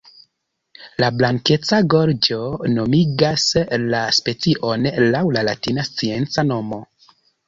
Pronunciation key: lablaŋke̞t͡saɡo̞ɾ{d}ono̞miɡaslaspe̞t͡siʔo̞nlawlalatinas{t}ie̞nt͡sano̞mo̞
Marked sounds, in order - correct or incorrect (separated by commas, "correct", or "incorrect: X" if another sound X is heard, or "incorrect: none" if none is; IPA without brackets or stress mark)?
incorrect: d͡ʒ, incorrect: t͡s